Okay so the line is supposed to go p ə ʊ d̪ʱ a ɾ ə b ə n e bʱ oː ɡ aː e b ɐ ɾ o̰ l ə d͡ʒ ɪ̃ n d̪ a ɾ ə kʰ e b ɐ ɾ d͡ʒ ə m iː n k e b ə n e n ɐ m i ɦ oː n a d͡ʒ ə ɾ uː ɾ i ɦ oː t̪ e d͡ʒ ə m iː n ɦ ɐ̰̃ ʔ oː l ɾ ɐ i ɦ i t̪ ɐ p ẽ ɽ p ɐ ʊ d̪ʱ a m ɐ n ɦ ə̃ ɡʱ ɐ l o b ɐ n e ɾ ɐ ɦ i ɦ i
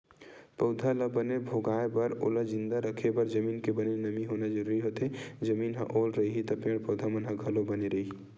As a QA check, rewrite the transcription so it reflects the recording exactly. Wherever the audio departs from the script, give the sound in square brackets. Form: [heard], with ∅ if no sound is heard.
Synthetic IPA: p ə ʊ d̪ʱ a [l] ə b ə n e bʱ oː ɡ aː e b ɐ ɾ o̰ l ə d͡ʒ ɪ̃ n d̪ a ɾ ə kʰ e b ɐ ɾ d͡ʒ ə m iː n k e b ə n e n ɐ m i ɦ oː n a d͡ʒ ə ɾ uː ɾ i ɦ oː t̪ e d͡ʒ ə m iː n ɦ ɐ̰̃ ʔ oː l ɾ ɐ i ɦ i t̪ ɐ p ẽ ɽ p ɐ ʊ d̪ʱ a m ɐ n ɦ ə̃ ɡʱ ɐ l o b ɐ n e ɾ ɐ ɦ i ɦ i

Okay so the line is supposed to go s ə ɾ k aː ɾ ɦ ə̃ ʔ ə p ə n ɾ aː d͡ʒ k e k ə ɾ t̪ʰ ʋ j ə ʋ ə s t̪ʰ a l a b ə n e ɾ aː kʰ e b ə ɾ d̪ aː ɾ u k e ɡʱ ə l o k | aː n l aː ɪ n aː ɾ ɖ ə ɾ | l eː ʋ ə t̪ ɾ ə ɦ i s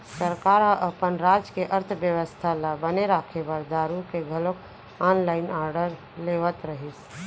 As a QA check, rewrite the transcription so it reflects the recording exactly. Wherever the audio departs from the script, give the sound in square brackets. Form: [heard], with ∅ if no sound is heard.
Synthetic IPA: s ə ɾ k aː ɾ ɦ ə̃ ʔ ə p ə n ɾ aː d͡ʒ k e [ʔ] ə ɾ t̪ʰ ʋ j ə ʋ ə s t̪ʰ a l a b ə n e ɾ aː kʰ e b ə ɾ d̪ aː ɾ u k e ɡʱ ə l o k | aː n l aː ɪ n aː ɾ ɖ ə ɾ | l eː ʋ ə t̪ ɾ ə ɦ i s

